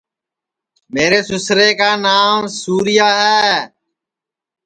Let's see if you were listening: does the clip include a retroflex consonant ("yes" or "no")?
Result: no